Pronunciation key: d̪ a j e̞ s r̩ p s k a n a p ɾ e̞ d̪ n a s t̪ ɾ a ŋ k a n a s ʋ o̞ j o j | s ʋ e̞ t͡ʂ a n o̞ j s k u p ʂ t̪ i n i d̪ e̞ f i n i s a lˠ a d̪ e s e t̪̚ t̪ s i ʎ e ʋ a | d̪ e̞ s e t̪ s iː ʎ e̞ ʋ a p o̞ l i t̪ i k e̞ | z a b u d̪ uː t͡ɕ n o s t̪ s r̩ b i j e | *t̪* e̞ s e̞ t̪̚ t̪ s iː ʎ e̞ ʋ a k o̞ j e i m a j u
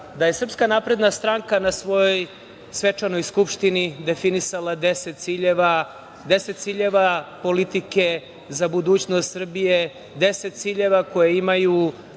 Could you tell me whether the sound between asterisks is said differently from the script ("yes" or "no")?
yes